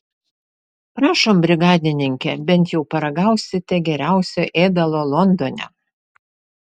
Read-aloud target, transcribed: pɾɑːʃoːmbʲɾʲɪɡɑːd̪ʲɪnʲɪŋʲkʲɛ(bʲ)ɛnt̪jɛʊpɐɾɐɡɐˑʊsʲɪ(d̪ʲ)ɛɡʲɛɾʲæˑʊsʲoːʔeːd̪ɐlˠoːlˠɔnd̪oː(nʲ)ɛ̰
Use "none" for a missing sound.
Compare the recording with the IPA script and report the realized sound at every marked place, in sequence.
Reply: bʲ, t̪ʲ, nʲ

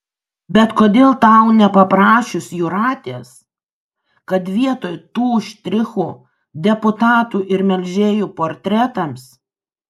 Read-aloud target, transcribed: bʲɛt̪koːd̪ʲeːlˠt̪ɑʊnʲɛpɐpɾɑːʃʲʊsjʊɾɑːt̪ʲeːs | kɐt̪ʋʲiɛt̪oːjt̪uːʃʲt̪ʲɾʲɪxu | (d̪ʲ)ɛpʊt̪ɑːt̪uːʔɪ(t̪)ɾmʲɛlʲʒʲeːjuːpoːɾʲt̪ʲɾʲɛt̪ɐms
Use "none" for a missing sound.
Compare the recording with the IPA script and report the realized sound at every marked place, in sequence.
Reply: d̪ʲ, none

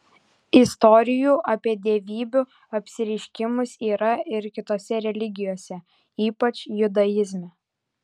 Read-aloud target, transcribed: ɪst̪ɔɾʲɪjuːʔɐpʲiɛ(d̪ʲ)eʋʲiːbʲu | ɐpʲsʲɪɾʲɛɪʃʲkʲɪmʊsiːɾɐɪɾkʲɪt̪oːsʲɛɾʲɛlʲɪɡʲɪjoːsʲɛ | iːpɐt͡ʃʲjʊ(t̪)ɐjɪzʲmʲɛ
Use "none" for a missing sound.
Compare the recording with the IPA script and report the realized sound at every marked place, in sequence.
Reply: d̪ʲ, d̪

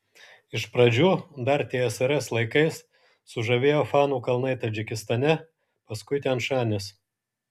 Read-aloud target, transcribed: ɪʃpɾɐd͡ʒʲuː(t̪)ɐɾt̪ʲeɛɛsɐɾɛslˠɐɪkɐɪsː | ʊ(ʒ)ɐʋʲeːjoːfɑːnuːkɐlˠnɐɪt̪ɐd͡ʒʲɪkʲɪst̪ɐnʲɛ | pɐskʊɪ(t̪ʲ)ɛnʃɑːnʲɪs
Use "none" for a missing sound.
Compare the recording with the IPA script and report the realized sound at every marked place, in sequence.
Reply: d̪, ʒ, t̪ʲ

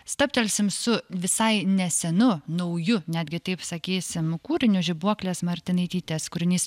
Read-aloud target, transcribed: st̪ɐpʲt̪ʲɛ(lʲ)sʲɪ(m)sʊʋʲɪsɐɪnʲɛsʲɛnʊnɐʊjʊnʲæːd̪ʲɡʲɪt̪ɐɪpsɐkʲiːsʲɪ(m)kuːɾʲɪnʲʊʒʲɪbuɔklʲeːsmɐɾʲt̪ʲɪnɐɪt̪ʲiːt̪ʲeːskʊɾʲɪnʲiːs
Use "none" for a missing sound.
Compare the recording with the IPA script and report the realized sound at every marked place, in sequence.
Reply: lʲ, m, m

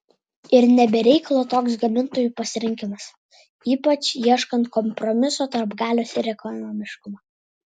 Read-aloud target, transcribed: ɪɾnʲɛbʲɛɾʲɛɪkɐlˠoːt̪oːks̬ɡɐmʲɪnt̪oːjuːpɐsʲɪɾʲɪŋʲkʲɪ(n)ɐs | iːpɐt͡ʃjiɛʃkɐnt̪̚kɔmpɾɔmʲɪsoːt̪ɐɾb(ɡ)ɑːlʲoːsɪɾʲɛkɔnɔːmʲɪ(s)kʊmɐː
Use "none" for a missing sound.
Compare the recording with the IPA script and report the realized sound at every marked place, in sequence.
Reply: m, ɡ, ʃ

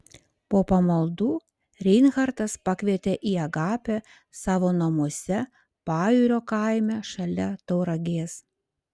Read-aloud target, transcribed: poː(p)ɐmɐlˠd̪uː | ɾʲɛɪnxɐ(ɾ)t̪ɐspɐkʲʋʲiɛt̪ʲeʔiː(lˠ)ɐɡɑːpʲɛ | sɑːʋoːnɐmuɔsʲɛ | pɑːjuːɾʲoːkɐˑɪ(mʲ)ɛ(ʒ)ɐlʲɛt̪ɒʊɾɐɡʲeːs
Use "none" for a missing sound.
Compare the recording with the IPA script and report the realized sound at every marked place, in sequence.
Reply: p, ɾ, none, mʲ, ʃ

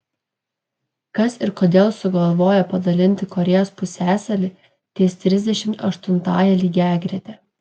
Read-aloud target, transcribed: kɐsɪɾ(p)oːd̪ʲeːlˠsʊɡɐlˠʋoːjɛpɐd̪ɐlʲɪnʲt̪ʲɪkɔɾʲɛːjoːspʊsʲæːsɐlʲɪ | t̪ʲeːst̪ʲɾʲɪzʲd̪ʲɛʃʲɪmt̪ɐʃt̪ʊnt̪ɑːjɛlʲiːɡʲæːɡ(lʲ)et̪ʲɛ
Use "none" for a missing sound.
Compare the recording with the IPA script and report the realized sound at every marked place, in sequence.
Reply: k, ɾʲ

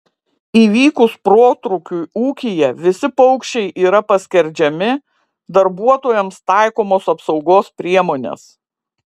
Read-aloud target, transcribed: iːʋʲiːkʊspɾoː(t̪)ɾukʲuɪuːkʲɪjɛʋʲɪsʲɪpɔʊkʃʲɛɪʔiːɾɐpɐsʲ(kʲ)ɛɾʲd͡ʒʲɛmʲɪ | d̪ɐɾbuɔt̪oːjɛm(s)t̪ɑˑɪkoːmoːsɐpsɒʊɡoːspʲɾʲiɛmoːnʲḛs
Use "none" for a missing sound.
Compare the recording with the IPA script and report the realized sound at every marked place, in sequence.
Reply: t̪, kʲ, s

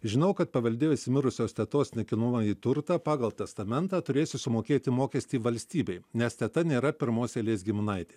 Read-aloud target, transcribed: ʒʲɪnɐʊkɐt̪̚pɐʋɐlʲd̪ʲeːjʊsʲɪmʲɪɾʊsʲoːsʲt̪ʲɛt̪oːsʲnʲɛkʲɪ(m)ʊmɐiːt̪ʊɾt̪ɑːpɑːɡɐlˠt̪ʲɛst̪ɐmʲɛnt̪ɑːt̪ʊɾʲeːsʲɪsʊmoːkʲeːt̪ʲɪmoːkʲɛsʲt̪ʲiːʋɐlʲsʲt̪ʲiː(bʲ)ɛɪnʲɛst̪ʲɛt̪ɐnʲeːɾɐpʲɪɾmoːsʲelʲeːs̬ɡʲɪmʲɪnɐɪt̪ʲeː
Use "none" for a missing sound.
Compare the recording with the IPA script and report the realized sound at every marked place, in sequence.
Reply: n, bʲ

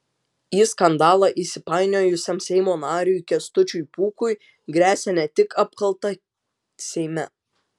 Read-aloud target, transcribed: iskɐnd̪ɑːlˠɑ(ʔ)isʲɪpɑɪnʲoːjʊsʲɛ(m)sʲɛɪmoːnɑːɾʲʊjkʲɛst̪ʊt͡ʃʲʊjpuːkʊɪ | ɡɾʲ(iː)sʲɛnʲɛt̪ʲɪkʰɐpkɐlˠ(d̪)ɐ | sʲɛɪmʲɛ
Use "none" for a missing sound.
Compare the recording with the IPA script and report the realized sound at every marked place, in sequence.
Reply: ʔ, m, æː, t̪

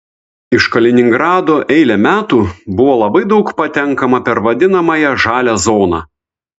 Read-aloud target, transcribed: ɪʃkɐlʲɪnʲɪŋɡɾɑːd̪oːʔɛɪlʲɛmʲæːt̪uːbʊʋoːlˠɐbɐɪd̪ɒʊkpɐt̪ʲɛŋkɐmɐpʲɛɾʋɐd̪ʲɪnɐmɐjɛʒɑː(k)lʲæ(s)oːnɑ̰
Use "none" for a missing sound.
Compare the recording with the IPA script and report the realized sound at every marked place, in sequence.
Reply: none, z

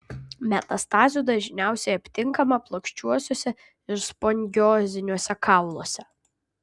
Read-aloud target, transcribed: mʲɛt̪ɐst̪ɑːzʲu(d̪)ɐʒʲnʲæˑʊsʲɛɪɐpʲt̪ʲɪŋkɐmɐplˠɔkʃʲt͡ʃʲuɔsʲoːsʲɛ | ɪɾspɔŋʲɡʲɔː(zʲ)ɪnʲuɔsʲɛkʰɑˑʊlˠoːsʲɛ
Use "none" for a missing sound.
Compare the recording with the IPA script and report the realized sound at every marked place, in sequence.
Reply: d̪, zʲ

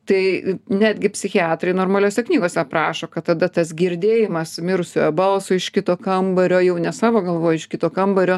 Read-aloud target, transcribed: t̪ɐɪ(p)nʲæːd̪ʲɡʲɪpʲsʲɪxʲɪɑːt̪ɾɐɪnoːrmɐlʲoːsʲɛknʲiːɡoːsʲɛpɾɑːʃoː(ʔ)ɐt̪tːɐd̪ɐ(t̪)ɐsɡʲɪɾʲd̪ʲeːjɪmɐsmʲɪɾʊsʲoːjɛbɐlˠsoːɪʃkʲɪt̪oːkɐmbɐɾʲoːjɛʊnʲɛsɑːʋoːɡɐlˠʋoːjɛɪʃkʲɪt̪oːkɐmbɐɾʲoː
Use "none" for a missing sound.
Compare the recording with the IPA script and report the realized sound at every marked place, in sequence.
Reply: none, k, t̪

